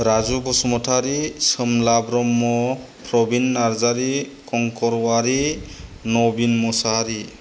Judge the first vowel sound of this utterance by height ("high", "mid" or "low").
low